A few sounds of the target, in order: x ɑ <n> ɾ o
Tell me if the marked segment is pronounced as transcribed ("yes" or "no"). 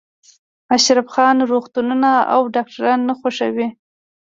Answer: yes